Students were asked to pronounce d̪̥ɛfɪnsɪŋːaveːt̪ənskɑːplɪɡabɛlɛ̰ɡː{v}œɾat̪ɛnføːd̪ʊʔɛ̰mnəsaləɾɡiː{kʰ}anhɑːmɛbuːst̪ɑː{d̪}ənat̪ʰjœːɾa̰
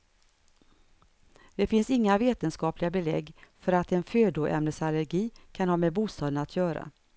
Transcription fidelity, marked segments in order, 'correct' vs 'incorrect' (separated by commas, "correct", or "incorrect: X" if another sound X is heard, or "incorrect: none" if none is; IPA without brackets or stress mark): incorrect: f, correct, correct